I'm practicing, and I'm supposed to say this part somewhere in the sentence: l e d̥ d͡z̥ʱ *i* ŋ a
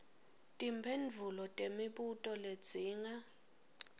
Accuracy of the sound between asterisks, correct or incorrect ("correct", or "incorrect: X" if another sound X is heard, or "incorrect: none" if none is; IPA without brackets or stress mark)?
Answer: incorrect: iː